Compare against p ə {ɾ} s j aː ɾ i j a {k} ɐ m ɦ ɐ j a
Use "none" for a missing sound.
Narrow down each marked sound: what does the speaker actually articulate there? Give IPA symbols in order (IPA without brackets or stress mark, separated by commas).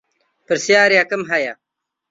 ɾ, k